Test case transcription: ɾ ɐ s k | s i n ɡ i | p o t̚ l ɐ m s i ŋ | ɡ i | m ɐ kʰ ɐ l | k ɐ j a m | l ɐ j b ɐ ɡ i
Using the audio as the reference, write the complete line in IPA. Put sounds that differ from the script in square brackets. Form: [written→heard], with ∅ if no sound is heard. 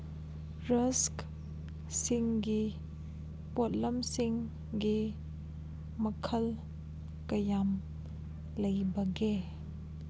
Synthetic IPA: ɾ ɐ s k | s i [n→ŋ] ɡ i | p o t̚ l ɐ m s i ŋ | ɡ i | m ɐ kʰ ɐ l | k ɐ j a m | l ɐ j b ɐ ɡ [i→e]